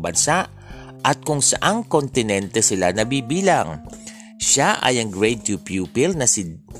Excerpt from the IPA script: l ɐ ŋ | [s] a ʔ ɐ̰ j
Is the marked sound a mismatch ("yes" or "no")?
yes